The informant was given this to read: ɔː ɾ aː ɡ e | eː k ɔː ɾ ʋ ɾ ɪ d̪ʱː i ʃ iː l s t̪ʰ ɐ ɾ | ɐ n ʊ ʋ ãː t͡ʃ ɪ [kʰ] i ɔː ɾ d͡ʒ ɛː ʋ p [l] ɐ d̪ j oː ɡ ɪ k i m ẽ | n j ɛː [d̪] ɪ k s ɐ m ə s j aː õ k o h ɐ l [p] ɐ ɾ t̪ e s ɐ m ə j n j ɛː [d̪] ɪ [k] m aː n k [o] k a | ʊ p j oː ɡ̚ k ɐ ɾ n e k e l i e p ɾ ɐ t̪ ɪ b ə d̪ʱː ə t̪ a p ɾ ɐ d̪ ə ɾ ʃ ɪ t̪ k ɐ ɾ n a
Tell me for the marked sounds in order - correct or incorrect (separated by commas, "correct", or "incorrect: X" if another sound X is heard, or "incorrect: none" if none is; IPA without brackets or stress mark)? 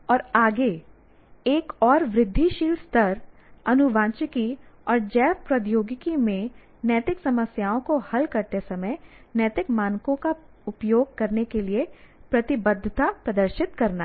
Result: incorrect: k, incorrect: ɾ, incorrect: t̪, incorrect: k, incorrect: t̪, correct, incorrect: õ